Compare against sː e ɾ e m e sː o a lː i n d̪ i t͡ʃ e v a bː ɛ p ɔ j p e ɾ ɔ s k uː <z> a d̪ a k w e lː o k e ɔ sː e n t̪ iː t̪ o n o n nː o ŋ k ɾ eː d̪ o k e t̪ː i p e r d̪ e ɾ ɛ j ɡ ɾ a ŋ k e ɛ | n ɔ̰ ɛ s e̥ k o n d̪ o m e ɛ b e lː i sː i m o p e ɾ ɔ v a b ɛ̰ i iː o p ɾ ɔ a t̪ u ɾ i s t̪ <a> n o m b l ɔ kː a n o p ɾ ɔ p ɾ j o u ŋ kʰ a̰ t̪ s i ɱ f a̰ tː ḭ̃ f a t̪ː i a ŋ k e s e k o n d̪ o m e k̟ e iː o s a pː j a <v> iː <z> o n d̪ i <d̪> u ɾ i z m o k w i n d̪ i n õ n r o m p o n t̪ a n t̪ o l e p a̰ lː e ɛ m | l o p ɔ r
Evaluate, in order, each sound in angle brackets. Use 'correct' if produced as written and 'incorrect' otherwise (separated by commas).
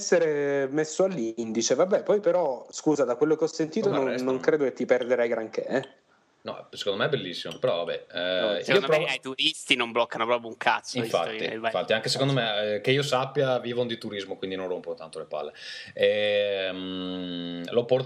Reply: correct, incorrect, correct, incorrect, incorrect